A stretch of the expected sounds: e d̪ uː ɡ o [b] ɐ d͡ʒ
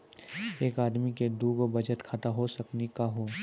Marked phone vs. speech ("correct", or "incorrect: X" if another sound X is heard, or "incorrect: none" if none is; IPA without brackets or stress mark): correct